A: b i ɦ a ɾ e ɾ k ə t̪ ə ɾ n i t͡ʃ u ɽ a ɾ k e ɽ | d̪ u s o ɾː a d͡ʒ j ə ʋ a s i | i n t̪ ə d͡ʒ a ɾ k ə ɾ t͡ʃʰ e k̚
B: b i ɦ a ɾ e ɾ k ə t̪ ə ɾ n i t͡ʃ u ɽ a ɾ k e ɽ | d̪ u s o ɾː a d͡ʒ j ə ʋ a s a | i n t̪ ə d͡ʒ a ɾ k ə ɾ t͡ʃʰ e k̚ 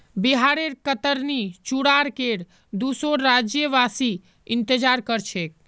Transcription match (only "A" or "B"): A